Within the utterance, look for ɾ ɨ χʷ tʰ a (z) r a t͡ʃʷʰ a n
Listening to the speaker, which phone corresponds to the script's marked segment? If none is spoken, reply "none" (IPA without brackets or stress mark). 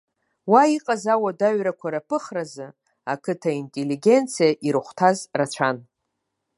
z